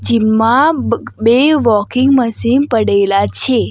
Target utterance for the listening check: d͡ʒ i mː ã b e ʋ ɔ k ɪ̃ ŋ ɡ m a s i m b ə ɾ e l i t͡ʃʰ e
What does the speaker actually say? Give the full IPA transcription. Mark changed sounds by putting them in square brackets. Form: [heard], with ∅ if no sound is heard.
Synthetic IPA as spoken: d͡ʒ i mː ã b e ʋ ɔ k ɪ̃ ŋ ɡ m [ə] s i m [p] ə [ɽ] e l [a] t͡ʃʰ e